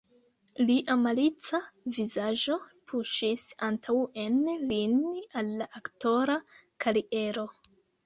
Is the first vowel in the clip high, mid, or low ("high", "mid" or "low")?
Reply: high